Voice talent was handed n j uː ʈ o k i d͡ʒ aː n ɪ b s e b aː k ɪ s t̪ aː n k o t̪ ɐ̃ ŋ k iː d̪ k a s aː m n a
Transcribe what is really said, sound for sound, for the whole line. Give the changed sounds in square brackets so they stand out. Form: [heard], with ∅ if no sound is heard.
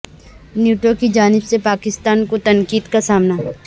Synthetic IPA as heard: n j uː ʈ o k i d͡ʒ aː n ɪ b s e [p] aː k ɪ s t̪ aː n k o t̪ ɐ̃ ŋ k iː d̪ k a s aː m n a

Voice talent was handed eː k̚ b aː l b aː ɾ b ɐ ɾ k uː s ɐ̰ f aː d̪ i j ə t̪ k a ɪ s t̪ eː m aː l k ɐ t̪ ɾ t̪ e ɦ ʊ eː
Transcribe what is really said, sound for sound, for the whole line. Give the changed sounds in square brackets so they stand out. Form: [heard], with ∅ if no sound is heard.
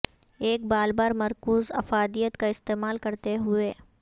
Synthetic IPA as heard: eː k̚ b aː l b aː ɾ [m] ɐ ɾ k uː [z] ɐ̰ f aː d̪ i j ə t̪ k a ɪ s t̪ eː m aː l k ɐ [∅] ɾ t̪ e ɦ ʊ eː

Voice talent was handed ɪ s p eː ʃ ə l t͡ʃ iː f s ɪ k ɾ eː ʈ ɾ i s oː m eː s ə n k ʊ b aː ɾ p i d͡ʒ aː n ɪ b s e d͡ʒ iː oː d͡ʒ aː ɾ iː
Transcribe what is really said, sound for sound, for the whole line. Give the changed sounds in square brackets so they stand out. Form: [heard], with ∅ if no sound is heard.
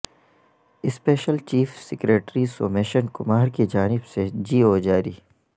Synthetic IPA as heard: ɪ s p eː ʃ ə l t͡ʃ iː f s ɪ k ɾ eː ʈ ɾ i s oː m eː [ʃ] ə n k ʊ [m] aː ɾ [k] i d͡ʒ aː n ɪ b s e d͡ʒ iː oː d͡ʒ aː ɾ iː

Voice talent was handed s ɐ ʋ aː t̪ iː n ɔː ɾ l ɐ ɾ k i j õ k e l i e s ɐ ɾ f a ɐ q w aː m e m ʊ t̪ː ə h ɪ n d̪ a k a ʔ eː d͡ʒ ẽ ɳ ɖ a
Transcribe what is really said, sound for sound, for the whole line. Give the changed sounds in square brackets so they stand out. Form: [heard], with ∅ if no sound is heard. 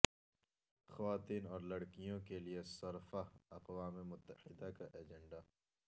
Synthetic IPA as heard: [x] ɐ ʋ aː t̪ iː n ɔː ɾ l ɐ [ɽ] k i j õ k e l i e s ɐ ɾ f a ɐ q w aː m e m ʊ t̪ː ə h ɪ [∅] d̪ a k a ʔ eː d͡ʒ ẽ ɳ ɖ a

